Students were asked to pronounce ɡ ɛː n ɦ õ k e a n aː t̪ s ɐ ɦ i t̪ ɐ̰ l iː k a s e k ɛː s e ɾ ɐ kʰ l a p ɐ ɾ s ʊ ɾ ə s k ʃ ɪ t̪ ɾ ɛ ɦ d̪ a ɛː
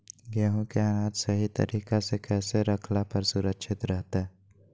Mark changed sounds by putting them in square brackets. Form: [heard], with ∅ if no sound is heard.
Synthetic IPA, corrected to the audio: ɡ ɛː [∅] ɦ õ k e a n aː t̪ s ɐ ɦ i t̪ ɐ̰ [ɾ] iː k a s e k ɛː s e ɾ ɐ kʰ l a p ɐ ɾ s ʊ ɾ ə [∅] k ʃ ɪ t̪ ɾ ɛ ɦ [t̪] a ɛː